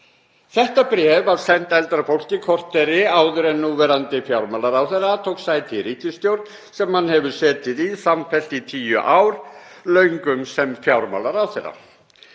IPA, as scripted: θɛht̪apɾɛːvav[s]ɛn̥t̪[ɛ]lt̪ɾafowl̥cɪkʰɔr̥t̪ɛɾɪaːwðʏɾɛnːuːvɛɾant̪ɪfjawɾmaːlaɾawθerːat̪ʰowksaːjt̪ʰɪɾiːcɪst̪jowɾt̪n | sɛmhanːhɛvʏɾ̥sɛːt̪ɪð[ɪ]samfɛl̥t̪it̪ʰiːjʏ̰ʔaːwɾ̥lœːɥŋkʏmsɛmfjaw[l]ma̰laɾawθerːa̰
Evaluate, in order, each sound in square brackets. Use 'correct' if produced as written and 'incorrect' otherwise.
correct, correct, incorrect, incorrect

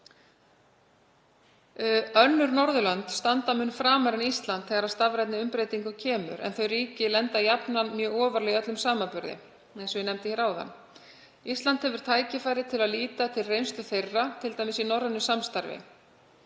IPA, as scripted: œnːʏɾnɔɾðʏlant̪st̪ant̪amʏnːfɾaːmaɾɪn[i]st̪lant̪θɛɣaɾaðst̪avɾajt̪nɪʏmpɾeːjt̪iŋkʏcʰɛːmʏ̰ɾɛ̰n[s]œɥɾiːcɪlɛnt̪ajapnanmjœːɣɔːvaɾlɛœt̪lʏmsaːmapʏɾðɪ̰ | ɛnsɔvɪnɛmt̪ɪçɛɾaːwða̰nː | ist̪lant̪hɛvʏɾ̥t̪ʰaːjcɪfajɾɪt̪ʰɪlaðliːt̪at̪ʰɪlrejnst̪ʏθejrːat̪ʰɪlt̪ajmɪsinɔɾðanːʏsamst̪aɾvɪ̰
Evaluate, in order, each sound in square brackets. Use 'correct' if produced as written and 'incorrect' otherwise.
correct, incorrect

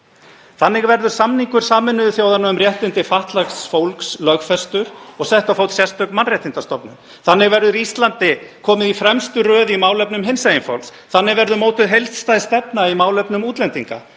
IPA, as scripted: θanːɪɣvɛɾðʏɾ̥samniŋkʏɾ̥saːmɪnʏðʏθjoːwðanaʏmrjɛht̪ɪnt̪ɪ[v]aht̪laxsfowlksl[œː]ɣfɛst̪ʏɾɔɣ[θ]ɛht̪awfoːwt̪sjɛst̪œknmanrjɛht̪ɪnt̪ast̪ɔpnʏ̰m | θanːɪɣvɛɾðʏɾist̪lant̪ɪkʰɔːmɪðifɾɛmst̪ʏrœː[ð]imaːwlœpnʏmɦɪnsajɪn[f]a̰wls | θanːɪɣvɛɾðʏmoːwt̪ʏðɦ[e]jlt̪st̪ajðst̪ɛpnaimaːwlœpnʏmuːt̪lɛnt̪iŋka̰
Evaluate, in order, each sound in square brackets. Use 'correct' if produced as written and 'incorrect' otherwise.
incorrect, incorrect, incorrect, correct, correct, correct

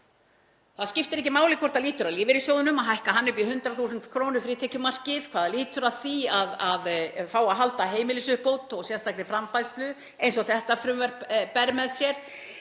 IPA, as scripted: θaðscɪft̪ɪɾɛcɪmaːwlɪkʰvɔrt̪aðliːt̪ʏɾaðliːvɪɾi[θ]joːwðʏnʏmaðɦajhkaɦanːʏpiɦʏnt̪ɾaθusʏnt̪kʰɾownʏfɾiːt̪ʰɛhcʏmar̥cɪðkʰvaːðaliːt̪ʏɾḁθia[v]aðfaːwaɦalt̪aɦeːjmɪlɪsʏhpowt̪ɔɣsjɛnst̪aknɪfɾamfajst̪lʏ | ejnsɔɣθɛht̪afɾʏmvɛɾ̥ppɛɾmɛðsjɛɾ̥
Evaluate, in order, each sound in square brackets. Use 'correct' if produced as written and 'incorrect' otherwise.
incorrect, incorrect

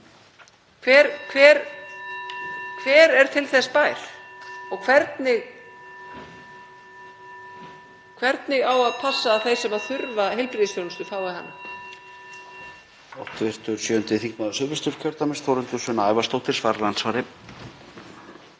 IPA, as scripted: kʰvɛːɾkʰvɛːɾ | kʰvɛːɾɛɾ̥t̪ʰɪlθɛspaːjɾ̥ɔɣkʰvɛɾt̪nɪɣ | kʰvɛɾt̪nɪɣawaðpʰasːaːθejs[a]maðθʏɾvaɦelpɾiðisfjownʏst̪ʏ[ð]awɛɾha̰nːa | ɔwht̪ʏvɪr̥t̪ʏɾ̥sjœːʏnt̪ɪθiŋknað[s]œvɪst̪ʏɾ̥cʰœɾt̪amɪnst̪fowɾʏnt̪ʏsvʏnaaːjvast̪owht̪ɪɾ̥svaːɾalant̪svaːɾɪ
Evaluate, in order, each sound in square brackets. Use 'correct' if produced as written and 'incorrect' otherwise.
incorrect, incorrect, correct

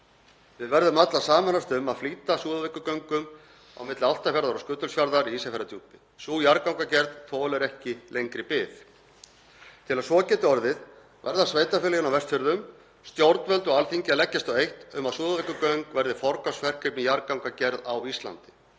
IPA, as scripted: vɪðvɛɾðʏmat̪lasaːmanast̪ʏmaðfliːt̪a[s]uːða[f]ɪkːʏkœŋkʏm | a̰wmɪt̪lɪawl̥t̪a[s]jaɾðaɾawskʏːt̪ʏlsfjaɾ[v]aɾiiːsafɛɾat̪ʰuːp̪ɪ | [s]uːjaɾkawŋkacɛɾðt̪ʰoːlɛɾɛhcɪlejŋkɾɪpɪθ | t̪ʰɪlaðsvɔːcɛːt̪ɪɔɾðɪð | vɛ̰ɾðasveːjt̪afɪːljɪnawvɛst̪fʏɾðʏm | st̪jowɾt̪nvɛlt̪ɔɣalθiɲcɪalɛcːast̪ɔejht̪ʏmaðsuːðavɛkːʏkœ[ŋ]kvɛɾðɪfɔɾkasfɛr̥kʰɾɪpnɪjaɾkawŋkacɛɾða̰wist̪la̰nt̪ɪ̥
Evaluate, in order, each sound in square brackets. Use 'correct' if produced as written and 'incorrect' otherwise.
correct, incorrect, incorrect, incorrect, correct, correct

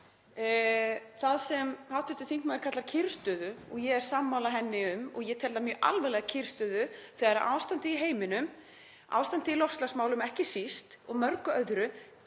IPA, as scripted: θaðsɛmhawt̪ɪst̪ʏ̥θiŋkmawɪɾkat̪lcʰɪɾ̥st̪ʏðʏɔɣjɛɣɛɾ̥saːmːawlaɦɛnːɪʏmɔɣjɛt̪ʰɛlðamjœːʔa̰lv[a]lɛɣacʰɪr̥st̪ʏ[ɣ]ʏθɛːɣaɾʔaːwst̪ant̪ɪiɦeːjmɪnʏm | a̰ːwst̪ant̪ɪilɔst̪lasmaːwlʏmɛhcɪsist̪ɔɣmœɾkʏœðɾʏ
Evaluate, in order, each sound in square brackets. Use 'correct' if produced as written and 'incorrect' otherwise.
incorrect, incorrect

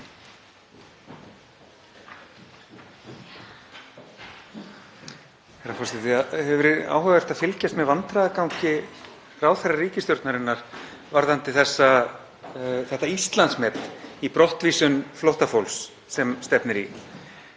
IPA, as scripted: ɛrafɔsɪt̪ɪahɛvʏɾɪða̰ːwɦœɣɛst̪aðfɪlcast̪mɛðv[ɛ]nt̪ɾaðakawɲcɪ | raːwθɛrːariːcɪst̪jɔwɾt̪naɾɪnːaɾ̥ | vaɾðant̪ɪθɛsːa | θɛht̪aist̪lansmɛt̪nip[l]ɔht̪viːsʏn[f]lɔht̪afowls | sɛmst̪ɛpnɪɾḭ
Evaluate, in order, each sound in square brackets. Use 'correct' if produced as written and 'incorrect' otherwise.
incorrect, incorrect, correct

